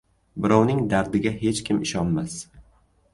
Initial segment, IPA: b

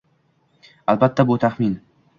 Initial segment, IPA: a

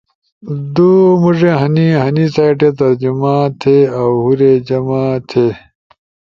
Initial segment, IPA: d̪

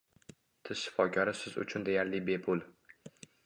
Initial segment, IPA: t̪ʰ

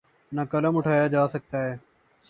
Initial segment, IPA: n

